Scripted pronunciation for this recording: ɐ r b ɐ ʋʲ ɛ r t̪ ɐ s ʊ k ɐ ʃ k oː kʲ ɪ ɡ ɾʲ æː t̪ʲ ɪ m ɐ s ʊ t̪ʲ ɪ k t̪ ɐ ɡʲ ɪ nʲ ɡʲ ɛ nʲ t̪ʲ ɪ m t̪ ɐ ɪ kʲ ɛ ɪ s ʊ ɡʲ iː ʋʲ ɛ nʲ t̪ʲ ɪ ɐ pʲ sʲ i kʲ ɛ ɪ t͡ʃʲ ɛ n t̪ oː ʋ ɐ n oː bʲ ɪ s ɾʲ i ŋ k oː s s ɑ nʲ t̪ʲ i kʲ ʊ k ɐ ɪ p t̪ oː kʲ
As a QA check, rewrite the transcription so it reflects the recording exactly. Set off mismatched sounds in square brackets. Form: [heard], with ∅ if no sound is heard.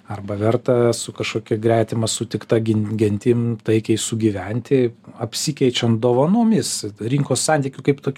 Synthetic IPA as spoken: ɐ r b ɐ ʋʲ ɛ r t̪ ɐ s ʊ k ɐ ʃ k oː kʲ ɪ ɡ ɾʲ æː t̪ʲ ɪ m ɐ s ʊ t̪ʲ ɪ k t̪ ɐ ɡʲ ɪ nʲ ɡʲ ɛ nʲ t̪ʲ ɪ m t̪ ɐ ɪ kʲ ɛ ɪ s ʊ ɡʲ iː ʋʲ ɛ nʲ t̪ʲ ɪ ɐ pʲ sʲ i kʲ ɛ ɪ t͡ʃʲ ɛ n [d̪] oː ʋ ɐ n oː [mʲ] ɪ s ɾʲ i ŋ k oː s s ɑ nʲ t̪ʲ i kʲ ʊ k ɐ ɪ p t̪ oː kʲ